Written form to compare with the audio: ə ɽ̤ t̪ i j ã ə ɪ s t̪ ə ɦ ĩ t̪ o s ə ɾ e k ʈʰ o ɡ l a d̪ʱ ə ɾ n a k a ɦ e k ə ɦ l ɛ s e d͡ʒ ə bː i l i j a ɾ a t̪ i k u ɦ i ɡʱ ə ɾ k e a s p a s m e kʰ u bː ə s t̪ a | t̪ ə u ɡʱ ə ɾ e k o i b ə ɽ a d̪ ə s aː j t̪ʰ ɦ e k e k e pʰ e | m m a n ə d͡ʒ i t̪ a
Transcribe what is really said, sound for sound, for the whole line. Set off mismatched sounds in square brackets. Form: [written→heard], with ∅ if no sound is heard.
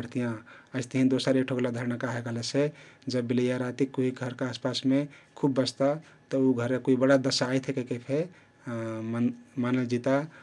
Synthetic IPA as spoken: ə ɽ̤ t̪ i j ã ə ɪ s t̪ ə ɦ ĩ [t̪→d̪] o s ə ɾ e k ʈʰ o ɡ l a d̪ʱ ə ɾ n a k a ɦ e k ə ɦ l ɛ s e d͡ʒ ə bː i l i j a ɾ a t̪ i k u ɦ i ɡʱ ə ɾ k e a s p a s m e kʰ u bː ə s t̪ a | t̪ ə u ɡʱ ə ɾ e k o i b ə ɽ a d̪ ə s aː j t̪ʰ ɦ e k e k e pʰ e | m m a n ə d͡ʒ i t̪ a